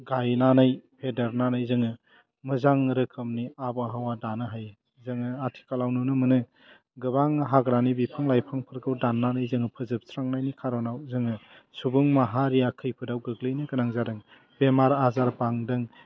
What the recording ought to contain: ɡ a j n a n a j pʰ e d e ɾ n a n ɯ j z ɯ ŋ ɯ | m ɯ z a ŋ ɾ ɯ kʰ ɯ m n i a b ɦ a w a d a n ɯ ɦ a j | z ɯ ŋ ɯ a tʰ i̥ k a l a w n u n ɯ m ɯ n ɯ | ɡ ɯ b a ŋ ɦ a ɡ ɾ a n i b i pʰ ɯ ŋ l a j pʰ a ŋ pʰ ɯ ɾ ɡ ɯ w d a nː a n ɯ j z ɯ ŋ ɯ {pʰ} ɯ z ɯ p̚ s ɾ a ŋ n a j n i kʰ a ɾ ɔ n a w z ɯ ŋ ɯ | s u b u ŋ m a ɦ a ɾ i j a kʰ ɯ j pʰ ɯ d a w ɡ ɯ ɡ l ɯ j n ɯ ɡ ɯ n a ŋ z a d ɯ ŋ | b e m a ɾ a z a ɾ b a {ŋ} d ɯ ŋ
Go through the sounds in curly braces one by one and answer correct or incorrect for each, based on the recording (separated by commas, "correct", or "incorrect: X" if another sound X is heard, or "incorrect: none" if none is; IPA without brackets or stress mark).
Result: correct, correct